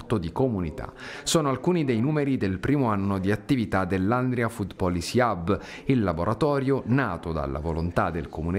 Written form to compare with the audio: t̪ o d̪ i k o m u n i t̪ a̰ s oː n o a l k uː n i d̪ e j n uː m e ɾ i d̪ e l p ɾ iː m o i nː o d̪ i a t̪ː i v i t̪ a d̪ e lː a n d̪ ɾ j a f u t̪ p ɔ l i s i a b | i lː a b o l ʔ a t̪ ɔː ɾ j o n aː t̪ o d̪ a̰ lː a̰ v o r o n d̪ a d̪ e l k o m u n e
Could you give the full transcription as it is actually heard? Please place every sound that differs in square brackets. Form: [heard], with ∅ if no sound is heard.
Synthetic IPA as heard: t̪ o d̪ i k o m u n i t̪ a̰ s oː n o a l k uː n i d̪ e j n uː m e ɾ i d̪ e l p ɾ iː m o [a] nː o d̪ i a t̪ː i v i t̪ a d̪ e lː a n d̪ ɾ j a f u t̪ p ɔ l i s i a b | i lː a b o [ɾ] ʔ a t̪ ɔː ɾ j o n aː t̪ o d̪ a̰ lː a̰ v o [l] o n [t̪] a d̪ e l k o m u n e